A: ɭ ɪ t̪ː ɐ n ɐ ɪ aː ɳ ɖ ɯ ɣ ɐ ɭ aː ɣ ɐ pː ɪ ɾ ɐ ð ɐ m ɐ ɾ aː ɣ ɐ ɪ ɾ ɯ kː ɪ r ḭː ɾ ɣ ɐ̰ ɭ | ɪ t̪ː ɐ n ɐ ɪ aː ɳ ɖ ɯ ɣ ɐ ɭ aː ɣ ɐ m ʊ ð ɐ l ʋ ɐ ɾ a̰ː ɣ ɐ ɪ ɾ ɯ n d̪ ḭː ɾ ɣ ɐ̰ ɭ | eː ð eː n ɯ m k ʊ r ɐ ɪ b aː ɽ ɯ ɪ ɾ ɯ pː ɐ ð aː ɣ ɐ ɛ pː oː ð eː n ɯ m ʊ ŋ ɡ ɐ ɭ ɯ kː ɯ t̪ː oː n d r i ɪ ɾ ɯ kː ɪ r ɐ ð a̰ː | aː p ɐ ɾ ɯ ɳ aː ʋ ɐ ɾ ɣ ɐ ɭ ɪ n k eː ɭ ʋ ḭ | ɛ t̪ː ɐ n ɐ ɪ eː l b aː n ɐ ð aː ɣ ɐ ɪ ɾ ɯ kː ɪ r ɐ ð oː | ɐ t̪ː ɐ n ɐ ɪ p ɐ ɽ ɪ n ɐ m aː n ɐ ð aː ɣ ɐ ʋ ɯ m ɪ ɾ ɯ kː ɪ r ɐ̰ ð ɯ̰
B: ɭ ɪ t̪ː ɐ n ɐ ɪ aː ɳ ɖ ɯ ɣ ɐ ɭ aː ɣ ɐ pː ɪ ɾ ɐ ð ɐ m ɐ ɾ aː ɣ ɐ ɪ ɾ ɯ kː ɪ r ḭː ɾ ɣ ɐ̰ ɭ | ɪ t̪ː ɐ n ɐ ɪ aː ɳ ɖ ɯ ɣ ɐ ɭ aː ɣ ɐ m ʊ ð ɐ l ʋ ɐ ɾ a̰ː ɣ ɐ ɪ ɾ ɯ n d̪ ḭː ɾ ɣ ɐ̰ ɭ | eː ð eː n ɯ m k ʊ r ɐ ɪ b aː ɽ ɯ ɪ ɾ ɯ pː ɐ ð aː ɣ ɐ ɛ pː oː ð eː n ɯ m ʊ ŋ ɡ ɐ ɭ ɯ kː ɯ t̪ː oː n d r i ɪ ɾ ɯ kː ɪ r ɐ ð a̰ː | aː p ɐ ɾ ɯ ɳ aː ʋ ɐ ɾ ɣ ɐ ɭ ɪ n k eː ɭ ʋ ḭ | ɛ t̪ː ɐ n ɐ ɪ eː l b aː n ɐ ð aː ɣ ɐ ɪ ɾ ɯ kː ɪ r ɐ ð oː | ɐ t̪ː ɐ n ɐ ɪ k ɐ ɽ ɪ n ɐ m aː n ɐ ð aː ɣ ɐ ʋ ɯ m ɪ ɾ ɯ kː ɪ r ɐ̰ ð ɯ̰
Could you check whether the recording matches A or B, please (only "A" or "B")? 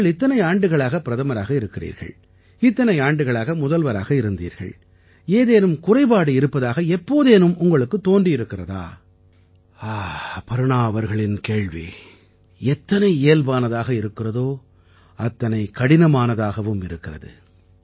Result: B